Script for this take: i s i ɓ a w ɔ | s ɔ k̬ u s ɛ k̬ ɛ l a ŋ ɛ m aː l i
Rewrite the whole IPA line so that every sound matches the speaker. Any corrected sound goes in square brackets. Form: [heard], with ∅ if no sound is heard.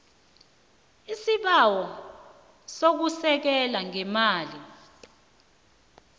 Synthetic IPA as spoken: i s i ɓ a w ɔ | s [o] k̬ u s ɛ k̬ ɛ l a ŋ ɛ m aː l i